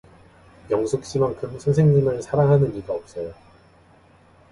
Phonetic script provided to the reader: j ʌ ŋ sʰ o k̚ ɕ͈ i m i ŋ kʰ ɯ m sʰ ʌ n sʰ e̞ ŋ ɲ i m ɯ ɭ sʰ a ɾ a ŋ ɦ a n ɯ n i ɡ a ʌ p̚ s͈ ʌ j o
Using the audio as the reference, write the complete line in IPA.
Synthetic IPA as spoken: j ʌ ŋ sʰ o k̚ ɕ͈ i m a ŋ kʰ ɯ m sʰ ʌ n sʰ e̞ ŋ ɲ i m ɯ ɭ sʰ a ɾ a ŋ ɦ a n ɯ n i ɡ a ʌ p̚ s͈ ʌ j o

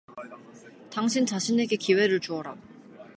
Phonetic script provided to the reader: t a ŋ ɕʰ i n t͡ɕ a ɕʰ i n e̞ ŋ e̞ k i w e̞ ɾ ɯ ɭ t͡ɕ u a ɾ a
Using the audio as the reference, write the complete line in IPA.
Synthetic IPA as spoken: t a ŋ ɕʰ i n t͡ɕ a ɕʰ i n e̞ ɡ e̞ k i w e̞ ɾ ɯ ɭ t͡ɕ u ʌ ɾ a

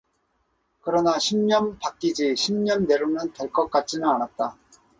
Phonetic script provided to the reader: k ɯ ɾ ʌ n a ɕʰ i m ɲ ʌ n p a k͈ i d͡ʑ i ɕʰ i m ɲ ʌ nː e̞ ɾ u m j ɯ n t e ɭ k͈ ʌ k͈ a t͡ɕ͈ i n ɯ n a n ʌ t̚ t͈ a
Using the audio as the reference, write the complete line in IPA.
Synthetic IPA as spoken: k ɯ ɾ ʌ n a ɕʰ i m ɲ ʌ n p a k͈ i d͡ʑ i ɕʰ i m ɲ ʌ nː e̞ ɾ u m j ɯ n t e ɭ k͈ ʌ k͈ a t͡ɕ͈ i n ɯ n a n a t̚ t͈ a

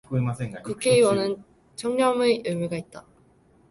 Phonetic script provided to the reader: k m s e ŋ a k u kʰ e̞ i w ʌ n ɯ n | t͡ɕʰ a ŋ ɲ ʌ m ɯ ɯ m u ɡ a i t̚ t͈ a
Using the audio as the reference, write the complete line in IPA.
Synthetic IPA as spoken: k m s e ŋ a k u kʰ e̞ i w ʌ n ɯ n | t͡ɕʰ ʌ ŋ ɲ ʌ m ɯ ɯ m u ɡ a i t̚ t͈ a

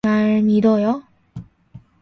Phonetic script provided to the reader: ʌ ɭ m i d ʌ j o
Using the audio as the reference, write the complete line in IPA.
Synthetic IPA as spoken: a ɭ m i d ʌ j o

